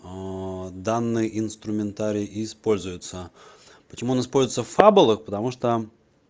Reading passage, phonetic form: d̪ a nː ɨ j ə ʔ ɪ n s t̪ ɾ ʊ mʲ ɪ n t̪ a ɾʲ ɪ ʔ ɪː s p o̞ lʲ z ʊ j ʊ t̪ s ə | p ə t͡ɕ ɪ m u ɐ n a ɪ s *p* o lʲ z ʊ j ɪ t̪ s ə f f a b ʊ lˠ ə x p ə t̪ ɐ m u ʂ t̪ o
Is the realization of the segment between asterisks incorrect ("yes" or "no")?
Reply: no